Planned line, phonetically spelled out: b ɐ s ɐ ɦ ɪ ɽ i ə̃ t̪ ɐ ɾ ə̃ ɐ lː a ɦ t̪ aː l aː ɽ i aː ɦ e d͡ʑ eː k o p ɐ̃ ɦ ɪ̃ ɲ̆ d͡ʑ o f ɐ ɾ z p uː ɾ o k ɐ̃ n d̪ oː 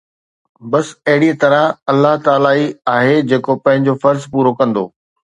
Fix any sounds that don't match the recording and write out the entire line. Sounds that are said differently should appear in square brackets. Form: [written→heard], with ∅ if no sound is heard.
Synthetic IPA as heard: b ɐ s ɐ ɦ ɪ ɽ i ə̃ t̪ ɐ ɾ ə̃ ɐ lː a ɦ t̪ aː l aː [ɽ→∅] i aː ɦ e d͡ʑ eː k o p ɐ̃ ɦ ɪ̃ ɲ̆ d͡ʑ o f ɐ ɾ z p uː ɾ o k ɐ̃ n d̪ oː